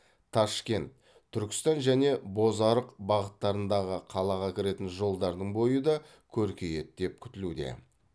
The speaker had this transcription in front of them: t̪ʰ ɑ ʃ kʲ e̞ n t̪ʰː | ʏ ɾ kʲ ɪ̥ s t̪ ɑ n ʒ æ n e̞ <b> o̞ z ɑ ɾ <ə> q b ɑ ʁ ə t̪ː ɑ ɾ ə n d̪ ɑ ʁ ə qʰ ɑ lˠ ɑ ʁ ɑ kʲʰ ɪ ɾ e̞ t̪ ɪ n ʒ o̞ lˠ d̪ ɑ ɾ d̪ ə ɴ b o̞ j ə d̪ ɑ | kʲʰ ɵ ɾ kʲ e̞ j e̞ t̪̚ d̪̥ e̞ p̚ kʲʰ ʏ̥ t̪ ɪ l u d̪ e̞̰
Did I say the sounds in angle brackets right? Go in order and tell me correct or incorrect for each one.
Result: correct, correct

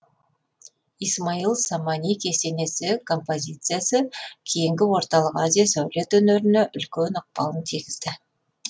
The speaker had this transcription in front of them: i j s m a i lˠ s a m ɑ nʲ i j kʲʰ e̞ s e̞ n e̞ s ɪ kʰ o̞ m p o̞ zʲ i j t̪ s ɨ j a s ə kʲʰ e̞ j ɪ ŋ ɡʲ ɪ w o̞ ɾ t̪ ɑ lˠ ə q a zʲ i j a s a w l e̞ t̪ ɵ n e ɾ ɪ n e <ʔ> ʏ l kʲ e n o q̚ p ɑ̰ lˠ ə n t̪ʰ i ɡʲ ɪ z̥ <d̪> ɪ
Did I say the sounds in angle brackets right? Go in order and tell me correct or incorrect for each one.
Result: correct, correct

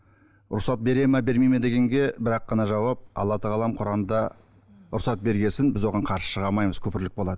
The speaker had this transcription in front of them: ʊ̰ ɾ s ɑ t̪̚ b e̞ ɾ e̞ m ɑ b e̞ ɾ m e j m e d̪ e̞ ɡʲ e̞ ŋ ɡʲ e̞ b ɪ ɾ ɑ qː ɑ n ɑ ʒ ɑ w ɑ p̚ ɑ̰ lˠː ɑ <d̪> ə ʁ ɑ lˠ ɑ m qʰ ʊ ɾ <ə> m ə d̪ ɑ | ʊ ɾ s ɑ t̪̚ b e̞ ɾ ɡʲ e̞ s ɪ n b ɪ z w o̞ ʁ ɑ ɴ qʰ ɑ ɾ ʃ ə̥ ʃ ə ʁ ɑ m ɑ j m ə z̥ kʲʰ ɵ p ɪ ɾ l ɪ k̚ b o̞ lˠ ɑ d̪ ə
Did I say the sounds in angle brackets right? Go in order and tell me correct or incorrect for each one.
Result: incorrect: t̪, incorrect: ɑ

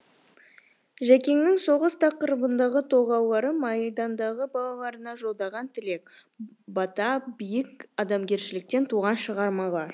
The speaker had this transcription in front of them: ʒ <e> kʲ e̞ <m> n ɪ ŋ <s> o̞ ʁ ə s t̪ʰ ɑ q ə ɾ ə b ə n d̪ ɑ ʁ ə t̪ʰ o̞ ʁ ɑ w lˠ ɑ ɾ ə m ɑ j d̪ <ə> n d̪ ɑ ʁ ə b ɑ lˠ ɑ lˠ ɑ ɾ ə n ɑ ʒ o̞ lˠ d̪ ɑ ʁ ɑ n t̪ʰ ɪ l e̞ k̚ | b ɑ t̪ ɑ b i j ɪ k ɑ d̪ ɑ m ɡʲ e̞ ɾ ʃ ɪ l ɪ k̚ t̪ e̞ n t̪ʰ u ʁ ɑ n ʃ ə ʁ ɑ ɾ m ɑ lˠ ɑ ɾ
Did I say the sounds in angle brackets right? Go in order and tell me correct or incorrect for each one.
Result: incorrect: æ, incorrect: ŋ, correct, incorrect: ɑ

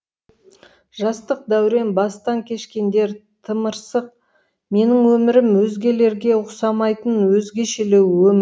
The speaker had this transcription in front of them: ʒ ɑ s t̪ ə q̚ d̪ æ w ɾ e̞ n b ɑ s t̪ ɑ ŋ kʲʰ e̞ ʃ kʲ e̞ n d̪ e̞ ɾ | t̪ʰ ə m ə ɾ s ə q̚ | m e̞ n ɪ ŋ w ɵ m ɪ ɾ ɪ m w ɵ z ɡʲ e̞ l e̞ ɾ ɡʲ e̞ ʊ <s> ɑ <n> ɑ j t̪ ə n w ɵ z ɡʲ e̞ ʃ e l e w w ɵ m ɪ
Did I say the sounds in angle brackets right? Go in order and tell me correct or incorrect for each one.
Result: correct, incorrect: m

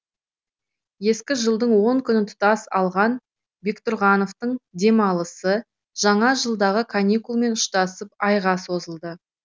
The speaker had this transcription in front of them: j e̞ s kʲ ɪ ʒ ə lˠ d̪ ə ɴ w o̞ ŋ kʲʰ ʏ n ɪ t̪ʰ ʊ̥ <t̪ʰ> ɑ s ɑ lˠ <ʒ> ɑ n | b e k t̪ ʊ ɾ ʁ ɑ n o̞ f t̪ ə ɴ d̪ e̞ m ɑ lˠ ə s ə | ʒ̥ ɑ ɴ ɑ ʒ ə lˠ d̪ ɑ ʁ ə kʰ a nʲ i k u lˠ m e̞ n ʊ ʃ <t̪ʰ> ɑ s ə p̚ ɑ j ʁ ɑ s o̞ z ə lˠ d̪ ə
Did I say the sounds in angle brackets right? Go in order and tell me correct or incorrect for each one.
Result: incorrect: t̪, incorrect: ʁ, incorrect: t̪

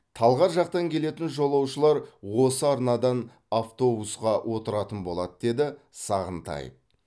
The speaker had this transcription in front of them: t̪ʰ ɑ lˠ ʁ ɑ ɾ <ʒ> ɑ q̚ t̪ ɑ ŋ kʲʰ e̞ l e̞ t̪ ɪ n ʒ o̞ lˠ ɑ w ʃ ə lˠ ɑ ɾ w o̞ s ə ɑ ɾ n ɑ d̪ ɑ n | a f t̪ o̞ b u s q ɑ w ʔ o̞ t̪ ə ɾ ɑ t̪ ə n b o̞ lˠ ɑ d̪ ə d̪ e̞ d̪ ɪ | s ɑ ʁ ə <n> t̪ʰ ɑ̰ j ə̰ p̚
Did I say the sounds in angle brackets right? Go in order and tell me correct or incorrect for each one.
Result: correct, correct

